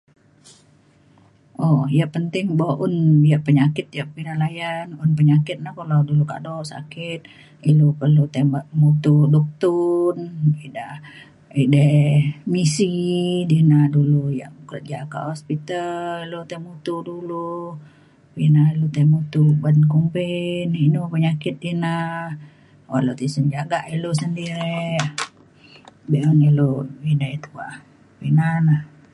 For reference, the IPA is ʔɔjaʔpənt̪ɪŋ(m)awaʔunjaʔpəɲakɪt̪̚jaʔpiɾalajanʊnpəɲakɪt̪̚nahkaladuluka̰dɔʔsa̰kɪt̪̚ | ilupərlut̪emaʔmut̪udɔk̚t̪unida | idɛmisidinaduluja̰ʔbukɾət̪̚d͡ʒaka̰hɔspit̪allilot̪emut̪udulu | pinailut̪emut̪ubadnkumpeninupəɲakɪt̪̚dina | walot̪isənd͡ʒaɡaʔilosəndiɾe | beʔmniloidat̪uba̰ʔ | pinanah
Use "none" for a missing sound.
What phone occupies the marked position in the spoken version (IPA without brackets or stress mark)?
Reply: b